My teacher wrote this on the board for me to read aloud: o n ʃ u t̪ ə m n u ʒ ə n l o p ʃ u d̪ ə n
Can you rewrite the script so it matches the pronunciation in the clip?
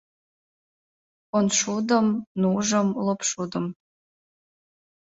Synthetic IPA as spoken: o n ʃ u d̪ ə m n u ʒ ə m l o p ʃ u d̪ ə m